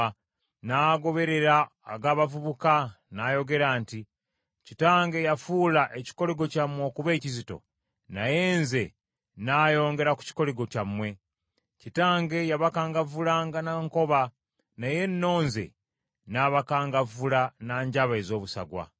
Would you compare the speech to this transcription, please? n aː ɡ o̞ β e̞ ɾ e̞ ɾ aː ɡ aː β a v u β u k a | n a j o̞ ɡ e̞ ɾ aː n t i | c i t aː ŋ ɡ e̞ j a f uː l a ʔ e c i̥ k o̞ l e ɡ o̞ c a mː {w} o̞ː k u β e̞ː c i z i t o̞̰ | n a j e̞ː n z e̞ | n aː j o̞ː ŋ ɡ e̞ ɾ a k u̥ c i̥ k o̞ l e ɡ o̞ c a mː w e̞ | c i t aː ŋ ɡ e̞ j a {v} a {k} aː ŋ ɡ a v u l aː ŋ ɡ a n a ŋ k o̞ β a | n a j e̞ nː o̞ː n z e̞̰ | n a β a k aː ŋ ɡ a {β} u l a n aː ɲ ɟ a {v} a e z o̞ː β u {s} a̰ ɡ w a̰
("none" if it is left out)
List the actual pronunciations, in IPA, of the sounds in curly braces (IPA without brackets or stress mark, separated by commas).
w, β, k, v, β, s